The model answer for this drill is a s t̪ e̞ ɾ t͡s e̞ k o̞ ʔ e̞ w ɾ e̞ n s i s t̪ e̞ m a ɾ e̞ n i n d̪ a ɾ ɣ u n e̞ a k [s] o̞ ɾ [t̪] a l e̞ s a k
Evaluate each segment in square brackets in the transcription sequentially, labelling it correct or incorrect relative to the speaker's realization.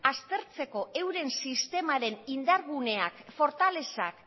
incorrect, correct

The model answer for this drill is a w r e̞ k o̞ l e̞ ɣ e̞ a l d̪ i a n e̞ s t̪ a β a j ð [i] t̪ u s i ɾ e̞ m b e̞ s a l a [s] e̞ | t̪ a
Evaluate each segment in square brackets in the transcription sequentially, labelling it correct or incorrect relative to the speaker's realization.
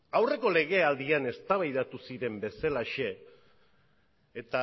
incorrect, incorrect

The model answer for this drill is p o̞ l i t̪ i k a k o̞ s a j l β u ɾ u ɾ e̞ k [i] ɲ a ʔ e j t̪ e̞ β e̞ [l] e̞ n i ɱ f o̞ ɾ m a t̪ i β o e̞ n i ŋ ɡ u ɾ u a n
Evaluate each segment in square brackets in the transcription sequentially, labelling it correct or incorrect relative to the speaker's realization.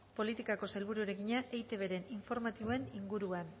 correct, incorrect

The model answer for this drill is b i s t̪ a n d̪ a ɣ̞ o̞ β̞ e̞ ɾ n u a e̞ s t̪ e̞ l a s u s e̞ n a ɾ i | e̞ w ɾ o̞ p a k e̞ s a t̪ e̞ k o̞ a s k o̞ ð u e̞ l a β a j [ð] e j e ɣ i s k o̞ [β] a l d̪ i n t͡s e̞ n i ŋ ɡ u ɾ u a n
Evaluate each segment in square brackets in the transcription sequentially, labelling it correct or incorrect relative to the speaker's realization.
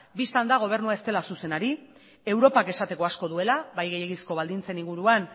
incorrect, correct

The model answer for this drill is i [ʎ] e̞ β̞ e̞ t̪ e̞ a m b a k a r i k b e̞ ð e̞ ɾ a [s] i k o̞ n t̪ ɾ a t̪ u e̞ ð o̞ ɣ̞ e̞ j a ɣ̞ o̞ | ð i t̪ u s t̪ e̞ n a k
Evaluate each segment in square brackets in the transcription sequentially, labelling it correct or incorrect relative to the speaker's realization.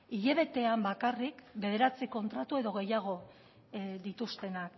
correct, incorrect

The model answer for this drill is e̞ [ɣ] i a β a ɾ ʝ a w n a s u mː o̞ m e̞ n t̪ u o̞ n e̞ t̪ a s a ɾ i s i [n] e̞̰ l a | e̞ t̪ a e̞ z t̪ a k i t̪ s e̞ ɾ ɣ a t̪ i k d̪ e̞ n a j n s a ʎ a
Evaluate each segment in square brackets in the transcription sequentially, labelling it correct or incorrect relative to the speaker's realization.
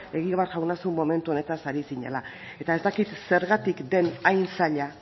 correct, incorrect

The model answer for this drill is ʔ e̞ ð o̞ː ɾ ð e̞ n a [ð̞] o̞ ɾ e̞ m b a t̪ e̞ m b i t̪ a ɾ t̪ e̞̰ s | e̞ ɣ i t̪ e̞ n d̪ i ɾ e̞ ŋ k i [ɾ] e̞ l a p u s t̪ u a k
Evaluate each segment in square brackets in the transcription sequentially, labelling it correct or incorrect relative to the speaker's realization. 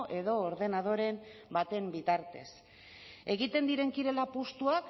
correct, correct

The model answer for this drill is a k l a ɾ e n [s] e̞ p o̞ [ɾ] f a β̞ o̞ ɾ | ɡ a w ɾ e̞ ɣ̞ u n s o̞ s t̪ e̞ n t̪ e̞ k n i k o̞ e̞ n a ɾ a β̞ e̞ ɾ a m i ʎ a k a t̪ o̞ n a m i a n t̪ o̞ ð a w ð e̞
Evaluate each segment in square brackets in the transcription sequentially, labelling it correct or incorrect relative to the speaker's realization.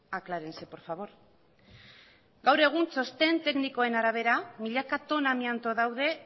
correct, correct

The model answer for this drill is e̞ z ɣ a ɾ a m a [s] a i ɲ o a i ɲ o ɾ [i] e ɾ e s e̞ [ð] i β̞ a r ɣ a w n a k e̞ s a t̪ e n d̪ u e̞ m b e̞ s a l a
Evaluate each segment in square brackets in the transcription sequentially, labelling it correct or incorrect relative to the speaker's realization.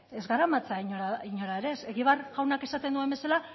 incorrect, incorrect, incorrect

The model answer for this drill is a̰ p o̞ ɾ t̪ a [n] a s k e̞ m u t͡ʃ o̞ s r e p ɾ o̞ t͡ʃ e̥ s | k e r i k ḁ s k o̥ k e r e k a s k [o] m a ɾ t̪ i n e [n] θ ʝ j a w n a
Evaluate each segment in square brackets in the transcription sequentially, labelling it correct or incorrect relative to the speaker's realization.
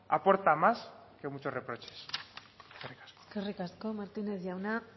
incorrect, correct, incorrect

